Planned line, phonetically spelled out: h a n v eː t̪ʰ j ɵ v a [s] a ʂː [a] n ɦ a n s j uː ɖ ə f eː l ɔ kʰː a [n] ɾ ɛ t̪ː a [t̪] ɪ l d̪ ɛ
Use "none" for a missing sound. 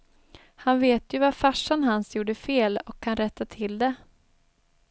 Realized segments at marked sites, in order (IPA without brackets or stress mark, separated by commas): f, a, n, t̪ʰ